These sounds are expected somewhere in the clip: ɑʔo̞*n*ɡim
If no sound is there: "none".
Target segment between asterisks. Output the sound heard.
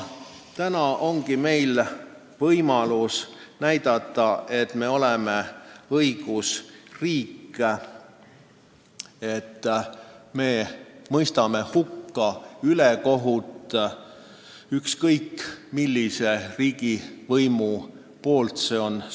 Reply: ŋ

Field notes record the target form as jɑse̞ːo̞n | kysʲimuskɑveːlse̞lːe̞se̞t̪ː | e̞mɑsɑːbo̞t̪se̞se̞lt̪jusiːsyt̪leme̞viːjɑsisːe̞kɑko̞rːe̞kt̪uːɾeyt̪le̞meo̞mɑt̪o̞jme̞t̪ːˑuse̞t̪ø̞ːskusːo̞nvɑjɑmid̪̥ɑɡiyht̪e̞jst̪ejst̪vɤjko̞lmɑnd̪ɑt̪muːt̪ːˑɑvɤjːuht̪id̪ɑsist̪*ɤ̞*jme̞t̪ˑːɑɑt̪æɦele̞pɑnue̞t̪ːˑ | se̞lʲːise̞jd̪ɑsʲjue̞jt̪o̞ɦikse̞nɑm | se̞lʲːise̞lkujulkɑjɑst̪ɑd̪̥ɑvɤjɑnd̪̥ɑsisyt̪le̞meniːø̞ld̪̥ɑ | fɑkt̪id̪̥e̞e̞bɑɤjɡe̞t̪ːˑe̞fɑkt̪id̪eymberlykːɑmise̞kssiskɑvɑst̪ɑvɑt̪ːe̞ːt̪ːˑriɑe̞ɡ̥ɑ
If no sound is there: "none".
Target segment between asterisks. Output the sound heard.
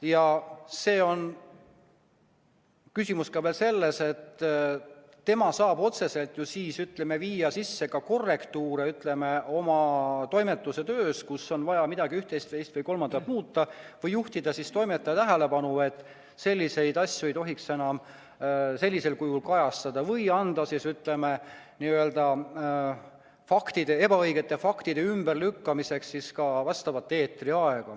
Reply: o̞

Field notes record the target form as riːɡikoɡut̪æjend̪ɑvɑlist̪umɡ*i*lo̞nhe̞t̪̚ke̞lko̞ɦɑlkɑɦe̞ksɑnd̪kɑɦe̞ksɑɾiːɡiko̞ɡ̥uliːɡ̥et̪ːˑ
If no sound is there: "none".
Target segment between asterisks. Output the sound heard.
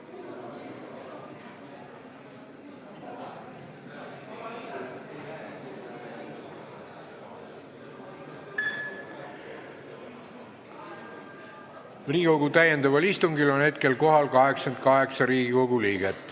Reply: i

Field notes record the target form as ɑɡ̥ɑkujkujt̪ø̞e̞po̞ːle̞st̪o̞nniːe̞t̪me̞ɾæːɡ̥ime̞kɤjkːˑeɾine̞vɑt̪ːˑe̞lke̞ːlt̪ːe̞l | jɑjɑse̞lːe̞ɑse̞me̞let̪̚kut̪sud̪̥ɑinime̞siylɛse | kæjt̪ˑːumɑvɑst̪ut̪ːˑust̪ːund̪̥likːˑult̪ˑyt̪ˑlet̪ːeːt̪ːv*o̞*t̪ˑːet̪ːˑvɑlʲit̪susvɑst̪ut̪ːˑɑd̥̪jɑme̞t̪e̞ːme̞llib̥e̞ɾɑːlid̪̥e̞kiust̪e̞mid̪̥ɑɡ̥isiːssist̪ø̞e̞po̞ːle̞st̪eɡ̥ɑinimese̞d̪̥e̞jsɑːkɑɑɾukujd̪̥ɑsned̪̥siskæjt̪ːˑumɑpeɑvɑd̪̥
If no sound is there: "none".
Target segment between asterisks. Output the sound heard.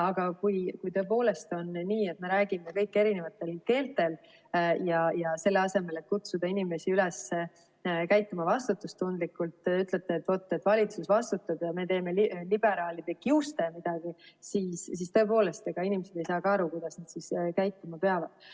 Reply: o̞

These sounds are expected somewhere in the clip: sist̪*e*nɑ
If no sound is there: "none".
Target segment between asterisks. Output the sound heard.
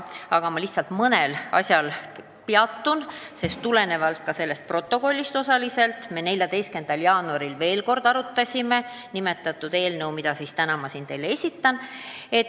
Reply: æ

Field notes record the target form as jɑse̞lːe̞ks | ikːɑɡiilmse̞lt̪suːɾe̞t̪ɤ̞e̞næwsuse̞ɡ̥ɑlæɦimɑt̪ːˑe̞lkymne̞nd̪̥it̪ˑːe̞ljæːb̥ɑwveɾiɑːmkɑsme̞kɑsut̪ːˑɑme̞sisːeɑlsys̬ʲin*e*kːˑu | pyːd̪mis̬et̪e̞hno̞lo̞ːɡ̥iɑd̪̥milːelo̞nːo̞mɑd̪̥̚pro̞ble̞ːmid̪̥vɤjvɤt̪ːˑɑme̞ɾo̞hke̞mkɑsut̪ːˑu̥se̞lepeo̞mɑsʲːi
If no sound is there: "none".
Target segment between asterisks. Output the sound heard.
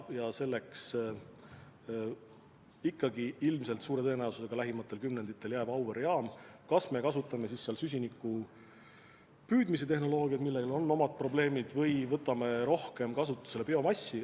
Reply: i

